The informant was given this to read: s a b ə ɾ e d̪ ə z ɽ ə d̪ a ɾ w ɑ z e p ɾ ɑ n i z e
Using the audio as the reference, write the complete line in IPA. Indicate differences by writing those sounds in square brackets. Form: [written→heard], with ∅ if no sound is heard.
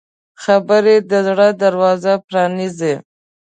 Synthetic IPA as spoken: [s→x] a b ə ɾ e d̪ ə z ɽ ə d̪ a ɾ w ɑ z [e→a] p ɾ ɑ n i z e